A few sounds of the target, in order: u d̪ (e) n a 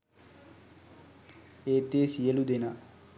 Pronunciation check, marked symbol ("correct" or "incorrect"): correct